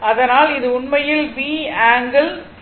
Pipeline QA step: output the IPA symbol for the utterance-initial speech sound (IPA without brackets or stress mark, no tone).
ɐ